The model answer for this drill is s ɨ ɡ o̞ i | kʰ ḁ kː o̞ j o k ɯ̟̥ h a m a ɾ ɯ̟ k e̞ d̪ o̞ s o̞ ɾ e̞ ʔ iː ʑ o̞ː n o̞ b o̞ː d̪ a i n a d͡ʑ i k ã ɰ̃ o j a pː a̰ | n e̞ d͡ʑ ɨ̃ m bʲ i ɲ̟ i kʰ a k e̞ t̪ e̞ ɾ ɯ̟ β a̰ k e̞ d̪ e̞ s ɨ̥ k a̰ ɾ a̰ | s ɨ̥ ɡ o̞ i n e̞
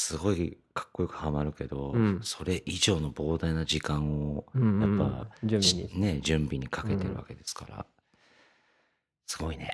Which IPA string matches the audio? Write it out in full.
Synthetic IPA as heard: s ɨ ɡ o̞ i | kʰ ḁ kː o̞ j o k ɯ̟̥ h a m a ɾ ɯ̟ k e̞ d̪ o̞ s o̞ ɾ e̞ ʔ i ʑ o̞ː n o̞ b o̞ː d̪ a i n a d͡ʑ i k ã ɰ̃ o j a pː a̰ | n e̞ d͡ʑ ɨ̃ m bʲ i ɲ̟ i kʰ a k e̞ t̪ e̞ ɾ ɯ̟ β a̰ k e̞ d̪ e̞ s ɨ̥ k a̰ ɾ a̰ | s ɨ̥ ɡ o̞ i n e̞